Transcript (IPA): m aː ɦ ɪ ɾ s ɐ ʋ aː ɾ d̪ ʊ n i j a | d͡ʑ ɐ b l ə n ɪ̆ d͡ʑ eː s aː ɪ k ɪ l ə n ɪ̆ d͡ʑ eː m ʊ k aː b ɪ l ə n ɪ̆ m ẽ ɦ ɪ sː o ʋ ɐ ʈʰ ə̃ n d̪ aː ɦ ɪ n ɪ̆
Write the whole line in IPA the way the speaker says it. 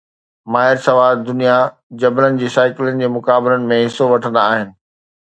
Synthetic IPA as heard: m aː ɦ ɪ ɾ s ɐ ʋ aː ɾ d̪ ʊ n i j a | d͡ʑ ɐ b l ə n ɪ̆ d͡ʑ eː s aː ɪ k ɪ l ə n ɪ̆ d͡ʑ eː m ʊ k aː b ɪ l ə n ɪ̆ m ẽ ɦ ɪ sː o ʋ ɐ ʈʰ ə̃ n d̪ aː ɦ ɪ n ɪ̆